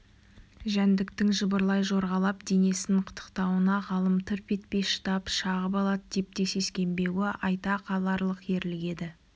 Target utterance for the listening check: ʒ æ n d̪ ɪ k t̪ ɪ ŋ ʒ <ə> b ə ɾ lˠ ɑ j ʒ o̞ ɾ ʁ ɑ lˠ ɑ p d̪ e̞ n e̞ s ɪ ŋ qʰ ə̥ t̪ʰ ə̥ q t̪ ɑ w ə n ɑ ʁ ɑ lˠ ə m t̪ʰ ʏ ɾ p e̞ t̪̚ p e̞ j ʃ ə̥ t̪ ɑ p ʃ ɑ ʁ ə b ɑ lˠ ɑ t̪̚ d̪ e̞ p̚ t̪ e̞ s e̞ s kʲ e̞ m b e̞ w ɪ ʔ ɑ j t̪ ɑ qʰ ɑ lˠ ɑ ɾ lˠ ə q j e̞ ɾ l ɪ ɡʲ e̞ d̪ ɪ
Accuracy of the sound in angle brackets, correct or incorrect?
correct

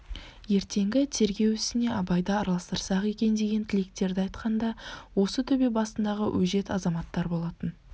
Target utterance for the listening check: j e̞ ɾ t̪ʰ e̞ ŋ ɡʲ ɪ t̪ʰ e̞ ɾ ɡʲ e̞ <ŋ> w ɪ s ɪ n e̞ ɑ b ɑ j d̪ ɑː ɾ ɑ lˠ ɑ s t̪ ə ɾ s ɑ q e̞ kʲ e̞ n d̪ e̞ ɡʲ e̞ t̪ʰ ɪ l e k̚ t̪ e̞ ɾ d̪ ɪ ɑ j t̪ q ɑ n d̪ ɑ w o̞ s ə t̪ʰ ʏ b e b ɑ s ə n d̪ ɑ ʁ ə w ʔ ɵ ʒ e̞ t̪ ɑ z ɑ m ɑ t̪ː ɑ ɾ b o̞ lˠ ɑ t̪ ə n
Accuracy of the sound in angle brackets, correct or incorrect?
incorrect: none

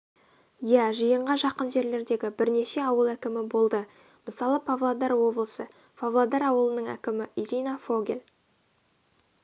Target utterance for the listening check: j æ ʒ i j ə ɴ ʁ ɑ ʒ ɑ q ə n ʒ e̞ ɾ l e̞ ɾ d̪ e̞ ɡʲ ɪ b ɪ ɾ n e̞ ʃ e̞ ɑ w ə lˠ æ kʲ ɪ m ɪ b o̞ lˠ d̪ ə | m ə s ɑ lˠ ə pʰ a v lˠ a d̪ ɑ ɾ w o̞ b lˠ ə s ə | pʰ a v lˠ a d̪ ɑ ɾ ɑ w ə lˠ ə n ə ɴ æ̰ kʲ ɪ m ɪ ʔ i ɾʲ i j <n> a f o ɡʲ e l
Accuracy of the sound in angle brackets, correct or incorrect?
correct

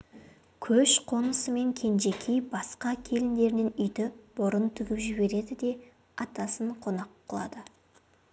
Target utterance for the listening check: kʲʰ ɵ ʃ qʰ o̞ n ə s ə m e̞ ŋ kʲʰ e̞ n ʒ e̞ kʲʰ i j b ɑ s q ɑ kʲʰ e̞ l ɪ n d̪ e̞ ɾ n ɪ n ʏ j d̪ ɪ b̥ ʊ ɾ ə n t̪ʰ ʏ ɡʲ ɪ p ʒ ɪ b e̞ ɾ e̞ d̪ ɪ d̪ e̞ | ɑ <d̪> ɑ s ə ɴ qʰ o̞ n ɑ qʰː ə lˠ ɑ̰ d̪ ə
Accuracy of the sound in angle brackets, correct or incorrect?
incorrect: t̪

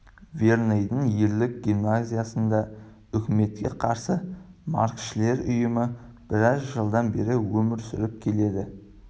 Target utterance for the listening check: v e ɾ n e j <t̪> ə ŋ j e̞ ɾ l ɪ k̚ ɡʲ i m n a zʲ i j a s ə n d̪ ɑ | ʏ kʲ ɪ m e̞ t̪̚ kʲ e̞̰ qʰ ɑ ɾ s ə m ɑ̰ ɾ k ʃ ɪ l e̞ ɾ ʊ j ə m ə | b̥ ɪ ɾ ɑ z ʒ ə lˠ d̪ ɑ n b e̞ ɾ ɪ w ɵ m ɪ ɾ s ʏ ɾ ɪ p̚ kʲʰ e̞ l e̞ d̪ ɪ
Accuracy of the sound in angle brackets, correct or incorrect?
incorrect: d̪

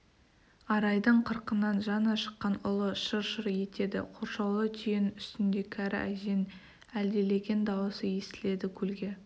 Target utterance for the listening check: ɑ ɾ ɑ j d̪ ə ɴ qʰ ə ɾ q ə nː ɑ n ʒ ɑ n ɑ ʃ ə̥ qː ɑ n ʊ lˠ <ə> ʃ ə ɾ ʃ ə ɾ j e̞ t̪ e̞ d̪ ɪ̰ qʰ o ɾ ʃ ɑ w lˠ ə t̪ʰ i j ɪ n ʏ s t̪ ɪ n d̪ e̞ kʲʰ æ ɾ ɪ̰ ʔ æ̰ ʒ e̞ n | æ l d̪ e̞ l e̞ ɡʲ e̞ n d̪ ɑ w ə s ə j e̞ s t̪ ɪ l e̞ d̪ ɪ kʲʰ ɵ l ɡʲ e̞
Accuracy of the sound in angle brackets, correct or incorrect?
correct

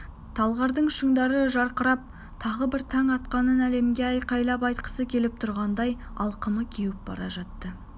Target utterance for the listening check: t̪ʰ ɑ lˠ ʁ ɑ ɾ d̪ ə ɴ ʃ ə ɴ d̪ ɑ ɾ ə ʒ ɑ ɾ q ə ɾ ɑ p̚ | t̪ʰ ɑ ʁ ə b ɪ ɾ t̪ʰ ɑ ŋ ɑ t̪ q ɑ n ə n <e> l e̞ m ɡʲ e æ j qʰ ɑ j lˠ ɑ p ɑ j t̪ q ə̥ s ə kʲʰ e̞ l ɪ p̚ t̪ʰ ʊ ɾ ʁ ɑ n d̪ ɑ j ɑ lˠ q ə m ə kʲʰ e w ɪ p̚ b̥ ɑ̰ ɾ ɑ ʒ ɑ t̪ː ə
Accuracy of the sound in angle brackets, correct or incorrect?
incorrect: æ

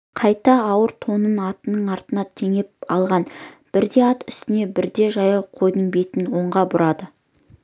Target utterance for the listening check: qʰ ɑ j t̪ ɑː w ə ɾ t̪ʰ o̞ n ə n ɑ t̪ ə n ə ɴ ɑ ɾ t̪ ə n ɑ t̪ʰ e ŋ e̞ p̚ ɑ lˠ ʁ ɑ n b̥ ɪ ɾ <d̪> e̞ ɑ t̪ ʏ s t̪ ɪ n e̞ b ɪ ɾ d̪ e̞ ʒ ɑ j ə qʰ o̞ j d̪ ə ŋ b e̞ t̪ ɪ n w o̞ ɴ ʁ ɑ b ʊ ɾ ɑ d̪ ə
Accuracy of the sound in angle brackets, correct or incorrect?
correct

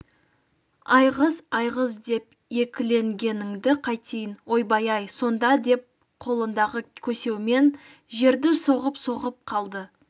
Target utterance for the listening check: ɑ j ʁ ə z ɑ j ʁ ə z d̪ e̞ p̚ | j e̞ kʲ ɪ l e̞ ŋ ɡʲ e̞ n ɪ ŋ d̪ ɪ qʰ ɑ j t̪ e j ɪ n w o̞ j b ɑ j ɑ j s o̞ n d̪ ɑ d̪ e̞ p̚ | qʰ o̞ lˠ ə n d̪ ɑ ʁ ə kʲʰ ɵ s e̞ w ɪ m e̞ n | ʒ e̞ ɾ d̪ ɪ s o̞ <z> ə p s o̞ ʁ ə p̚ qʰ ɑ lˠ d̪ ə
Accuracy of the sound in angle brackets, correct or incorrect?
incorrect: ʁ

